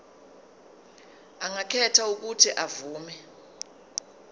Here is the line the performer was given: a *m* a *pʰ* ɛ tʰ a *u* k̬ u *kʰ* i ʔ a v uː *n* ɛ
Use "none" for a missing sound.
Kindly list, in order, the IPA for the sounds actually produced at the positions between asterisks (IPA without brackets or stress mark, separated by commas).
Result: ŋ, kʰ, u, tʰ, m